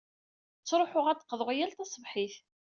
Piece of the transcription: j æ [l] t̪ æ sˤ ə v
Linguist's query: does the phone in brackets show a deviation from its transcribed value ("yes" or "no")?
no